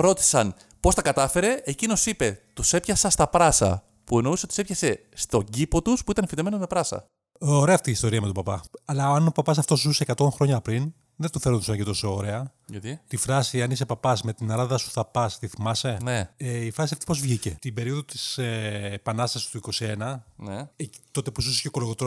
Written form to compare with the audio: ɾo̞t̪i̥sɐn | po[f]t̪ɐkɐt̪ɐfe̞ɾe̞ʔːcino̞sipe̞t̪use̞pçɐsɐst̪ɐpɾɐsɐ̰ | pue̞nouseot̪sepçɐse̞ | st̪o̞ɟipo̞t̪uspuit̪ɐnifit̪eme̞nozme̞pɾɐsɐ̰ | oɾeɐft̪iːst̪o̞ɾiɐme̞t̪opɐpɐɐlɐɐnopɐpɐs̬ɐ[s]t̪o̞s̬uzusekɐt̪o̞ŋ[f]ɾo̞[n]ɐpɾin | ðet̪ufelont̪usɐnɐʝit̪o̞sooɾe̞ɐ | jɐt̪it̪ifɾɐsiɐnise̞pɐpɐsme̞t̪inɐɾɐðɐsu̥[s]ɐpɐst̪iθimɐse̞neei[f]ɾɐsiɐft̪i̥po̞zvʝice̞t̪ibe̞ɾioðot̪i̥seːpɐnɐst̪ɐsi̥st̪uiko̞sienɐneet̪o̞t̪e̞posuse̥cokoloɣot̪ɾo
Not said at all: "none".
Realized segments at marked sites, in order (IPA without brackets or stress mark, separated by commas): s, f, x, ɲ, θ, f